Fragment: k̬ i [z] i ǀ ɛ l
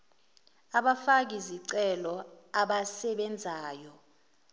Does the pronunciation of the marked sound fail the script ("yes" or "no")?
no